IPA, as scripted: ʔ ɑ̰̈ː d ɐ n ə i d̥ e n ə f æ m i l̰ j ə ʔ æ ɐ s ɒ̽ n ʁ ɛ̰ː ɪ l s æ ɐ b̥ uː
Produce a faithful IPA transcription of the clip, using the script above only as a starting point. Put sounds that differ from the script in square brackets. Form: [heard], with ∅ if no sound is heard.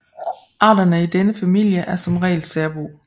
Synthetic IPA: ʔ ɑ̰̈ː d ɐ n ə i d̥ e n ə f æ m i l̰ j ə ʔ æ ɐ s ɒ̽ [m] ʁ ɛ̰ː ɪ l s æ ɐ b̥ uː